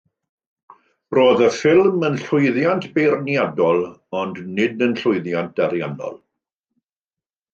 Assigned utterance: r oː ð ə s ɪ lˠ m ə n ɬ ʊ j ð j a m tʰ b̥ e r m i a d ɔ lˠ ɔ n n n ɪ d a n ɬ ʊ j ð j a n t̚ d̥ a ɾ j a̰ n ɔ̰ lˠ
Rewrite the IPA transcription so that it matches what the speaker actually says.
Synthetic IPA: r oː ð ə f ɪ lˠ m ə n ɬ ʊ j ð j a n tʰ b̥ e r n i a d ɔ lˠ ɔ n d n ɪ d ə n ɬ ʊ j ð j a n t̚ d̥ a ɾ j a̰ n ɔ̰ lˠ